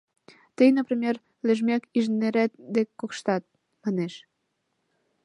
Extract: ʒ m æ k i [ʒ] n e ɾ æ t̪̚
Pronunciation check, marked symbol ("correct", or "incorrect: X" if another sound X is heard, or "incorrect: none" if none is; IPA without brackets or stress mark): correct